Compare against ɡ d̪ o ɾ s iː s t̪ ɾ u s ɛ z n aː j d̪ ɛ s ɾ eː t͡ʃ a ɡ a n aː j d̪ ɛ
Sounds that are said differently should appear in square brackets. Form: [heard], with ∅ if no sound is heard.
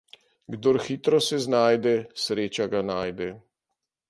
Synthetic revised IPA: ɡ d̪ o ɾ [x] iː [∅] t̪ ɾ [ɔ] s ɛ z n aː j d̪ ɛ s ɾ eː t͡ʃ a ɡ a n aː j d̪ ɛ